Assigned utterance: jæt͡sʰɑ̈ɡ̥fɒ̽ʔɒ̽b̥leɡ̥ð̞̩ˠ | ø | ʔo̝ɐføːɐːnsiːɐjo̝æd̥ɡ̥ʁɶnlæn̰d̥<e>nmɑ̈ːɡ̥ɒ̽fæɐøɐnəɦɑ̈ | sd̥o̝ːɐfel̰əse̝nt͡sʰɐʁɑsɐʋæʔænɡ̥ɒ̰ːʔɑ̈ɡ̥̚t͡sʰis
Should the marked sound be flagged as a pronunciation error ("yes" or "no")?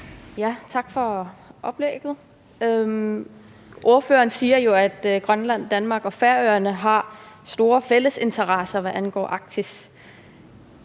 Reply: yes